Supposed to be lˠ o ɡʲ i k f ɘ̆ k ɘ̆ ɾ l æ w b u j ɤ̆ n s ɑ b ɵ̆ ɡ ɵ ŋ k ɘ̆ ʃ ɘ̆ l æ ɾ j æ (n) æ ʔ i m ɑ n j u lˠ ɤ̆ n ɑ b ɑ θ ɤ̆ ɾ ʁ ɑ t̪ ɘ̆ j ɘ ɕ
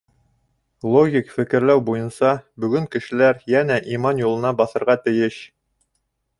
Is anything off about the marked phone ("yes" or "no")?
no